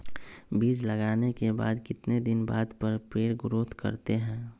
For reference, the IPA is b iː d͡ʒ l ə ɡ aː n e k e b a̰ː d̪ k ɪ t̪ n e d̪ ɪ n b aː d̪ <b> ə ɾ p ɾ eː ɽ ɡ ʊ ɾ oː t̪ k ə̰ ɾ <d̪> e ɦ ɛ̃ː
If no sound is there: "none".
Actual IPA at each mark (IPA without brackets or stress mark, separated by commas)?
p, t̪